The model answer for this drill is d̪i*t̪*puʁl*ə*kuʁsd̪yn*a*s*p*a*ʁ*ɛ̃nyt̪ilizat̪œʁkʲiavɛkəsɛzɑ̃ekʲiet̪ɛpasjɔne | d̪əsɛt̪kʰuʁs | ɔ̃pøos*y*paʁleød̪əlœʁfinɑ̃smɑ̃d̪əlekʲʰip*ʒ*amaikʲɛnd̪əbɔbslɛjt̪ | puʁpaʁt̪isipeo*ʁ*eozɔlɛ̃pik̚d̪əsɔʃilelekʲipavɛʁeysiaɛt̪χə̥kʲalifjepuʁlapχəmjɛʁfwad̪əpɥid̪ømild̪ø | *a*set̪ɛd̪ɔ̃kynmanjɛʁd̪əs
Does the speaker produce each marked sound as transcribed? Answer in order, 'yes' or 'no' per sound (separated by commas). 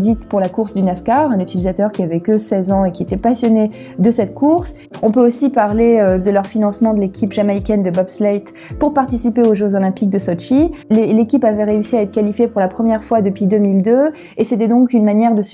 yes, no, yes, no, yes, no, yes, no, no